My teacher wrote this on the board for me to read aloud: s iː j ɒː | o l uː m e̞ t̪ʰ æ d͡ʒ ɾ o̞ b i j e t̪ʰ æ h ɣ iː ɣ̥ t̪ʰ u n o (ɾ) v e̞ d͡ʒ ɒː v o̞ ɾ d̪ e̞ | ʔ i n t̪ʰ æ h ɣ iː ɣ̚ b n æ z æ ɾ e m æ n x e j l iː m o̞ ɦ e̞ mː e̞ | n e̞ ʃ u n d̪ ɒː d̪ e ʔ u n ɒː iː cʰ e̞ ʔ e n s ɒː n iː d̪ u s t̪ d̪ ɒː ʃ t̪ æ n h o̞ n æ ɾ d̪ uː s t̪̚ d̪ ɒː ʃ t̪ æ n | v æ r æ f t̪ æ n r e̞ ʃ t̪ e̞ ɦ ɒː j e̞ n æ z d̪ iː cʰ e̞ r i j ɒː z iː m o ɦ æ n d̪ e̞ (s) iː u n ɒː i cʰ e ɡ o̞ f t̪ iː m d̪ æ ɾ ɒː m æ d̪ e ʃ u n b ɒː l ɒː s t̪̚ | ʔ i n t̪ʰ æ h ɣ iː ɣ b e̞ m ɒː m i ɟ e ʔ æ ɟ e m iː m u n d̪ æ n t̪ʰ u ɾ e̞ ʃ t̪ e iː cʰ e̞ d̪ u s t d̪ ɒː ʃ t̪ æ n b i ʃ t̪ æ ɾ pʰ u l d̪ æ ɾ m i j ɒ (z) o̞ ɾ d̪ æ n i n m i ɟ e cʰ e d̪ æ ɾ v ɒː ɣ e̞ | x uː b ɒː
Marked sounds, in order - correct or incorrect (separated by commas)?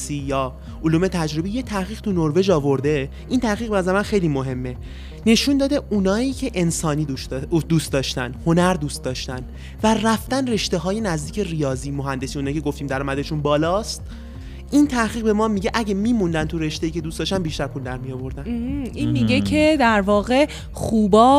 correct, correct, incorrect